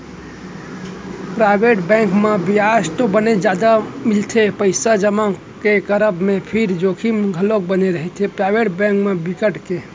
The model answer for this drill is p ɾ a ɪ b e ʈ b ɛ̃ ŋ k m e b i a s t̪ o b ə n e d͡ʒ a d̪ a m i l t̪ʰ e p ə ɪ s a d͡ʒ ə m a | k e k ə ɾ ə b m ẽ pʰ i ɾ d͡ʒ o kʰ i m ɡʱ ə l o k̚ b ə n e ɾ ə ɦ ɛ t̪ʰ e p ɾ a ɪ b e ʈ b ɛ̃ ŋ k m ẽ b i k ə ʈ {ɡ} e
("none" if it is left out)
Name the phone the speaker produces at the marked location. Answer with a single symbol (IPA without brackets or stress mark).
k